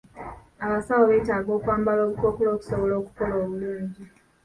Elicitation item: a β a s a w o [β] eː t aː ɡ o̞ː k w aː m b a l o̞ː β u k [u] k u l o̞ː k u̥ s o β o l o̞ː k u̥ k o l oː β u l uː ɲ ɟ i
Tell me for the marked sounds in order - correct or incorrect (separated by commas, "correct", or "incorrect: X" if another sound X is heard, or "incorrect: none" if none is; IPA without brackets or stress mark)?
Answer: correct, incorrect: o